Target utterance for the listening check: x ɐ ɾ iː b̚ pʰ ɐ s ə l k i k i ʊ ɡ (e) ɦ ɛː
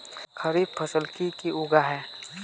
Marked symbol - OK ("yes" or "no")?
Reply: no